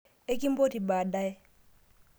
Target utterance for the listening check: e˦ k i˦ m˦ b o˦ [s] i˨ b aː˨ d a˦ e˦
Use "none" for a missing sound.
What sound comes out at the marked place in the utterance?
t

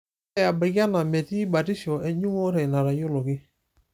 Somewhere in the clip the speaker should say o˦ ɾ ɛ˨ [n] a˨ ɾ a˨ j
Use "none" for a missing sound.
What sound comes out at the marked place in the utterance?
n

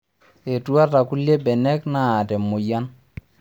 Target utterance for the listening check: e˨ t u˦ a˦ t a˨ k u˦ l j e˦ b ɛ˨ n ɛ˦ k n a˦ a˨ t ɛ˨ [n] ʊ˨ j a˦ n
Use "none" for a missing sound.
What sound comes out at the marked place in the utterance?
m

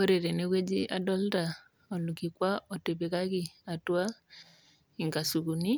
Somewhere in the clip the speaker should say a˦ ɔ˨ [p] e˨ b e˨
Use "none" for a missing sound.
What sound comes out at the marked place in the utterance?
t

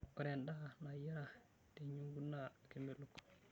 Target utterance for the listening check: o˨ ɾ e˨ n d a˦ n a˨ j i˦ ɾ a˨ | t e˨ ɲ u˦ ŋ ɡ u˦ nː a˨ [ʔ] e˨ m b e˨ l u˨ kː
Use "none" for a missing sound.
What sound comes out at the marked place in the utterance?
k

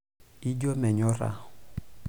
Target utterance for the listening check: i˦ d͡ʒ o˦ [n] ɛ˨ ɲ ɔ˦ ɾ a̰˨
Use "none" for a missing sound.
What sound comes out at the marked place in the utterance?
m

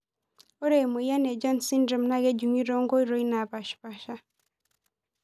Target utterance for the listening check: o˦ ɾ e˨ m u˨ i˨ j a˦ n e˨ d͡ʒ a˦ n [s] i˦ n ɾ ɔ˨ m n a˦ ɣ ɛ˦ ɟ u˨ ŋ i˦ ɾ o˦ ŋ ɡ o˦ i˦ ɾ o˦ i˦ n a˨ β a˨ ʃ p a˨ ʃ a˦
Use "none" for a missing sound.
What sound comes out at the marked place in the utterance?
s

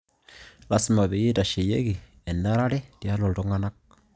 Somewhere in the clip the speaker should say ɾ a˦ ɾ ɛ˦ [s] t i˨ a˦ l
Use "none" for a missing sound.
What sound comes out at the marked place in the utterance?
none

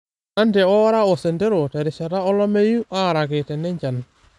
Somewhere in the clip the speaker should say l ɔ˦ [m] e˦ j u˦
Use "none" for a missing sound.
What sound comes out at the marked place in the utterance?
m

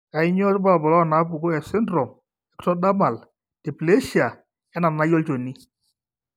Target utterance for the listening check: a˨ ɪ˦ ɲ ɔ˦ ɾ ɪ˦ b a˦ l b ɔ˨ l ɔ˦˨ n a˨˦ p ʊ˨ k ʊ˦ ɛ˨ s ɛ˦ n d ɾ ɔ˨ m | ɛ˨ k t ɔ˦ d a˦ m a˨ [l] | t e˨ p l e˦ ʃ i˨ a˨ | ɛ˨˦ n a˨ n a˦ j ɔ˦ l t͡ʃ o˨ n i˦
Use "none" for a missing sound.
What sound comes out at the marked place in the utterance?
l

